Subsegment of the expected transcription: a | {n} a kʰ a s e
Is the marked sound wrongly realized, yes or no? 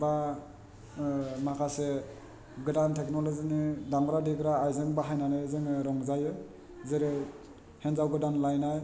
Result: yes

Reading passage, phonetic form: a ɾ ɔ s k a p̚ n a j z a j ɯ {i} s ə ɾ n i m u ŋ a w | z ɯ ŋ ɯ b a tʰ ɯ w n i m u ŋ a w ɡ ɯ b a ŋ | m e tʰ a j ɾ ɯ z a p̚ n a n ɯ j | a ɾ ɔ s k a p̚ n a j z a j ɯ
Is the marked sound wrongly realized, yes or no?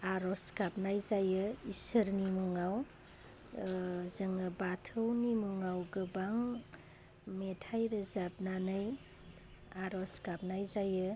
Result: no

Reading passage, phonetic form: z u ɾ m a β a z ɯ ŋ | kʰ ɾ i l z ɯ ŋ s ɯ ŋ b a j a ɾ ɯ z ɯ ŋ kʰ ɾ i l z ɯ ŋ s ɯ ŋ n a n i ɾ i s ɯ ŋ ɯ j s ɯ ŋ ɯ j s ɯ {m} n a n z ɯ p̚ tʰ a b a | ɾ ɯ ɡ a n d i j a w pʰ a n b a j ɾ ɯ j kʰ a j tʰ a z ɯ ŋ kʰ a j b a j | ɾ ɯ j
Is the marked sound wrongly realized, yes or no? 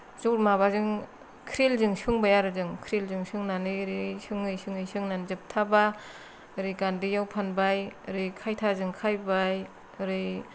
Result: yes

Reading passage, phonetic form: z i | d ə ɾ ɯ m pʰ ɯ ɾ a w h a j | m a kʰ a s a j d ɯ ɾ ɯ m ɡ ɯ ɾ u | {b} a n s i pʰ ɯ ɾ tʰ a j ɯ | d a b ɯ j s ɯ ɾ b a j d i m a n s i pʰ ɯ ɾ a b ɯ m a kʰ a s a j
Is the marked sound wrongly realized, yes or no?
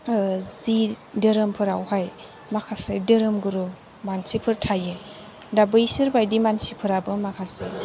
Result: yes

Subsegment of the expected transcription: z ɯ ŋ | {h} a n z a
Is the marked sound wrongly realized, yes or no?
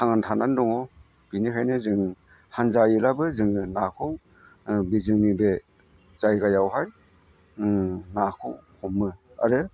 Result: no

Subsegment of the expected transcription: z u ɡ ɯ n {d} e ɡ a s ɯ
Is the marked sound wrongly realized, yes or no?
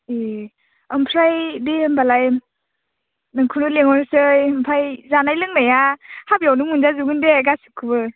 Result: no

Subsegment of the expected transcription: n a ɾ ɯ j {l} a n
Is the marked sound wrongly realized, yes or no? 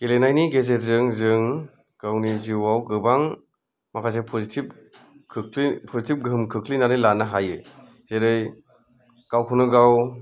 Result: no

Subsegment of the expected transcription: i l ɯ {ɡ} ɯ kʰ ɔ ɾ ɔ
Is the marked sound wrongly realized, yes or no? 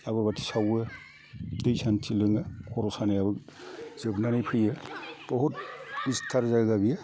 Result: yes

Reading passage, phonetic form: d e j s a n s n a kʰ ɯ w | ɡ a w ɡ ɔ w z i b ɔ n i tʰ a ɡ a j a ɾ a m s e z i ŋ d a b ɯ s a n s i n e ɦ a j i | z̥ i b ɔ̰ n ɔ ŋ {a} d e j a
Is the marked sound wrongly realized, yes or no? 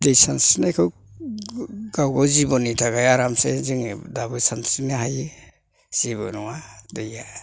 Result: no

